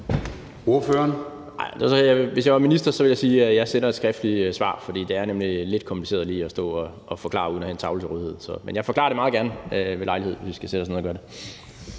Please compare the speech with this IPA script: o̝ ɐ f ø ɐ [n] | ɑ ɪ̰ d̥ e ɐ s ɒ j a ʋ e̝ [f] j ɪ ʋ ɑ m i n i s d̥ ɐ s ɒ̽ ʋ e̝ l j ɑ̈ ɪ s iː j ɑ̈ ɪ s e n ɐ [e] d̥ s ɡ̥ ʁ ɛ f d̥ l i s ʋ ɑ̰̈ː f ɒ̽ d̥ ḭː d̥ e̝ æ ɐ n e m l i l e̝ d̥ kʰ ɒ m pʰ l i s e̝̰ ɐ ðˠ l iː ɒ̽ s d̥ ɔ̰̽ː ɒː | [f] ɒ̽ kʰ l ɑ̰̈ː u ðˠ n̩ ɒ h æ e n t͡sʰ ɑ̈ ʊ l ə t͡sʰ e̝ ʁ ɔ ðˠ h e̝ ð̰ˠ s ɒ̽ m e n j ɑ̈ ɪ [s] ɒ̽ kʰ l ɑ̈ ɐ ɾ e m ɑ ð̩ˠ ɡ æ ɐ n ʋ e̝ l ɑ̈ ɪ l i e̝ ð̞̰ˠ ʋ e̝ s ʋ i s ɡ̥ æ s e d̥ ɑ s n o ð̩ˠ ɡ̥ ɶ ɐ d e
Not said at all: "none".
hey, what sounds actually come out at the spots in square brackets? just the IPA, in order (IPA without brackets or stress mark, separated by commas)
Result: n, s, e, f, f